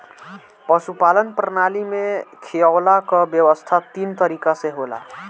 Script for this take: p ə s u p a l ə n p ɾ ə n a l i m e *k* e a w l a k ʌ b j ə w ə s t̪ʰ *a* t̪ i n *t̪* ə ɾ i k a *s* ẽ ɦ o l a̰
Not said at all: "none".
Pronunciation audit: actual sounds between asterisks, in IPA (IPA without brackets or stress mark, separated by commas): kʰ, a, t̪, s